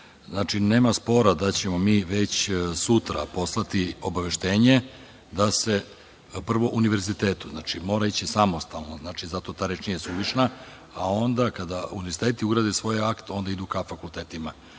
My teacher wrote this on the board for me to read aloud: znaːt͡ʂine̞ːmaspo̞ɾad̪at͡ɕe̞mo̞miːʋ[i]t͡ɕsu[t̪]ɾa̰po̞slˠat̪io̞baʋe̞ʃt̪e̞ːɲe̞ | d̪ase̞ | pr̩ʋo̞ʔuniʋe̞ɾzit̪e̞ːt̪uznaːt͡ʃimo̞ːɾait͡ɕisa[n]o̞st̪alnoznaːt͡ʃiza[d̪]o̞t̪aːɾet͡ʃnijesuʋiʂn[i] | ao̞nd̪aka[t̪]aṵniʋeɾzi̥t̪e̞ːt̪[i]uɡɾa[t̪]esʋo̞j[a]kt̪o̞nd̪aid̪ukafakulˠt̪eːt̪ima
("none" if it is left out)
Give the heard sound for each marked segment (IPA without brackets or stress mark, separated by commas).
e, t̪, m, t̪, a, d̪, i, d̪, a